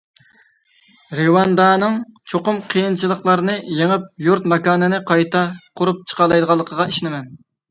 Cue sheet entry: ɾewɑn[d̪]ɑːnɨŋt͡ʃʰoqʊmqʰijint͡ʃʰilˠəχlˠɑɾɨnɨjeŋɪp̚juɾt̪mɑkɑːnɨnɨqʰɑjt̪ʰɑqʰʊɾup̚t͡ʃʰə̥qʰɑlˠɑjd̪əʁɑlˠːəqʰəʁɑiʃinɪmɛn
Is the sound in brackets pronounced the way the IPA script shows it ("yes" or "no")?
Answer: yes